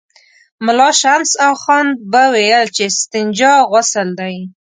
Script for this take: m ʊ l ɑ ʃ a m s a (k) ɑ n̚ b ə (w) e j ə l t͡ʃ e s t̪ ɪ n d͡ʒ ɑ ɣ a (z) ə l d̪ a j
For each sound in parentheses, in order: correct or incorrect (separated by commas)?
incorrect, correct, incorrect